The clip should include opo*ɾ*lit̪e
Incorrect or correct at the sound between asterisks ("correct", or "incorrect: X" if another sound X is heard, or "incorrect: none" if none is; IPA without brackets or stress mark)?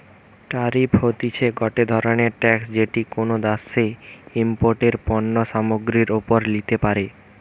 correct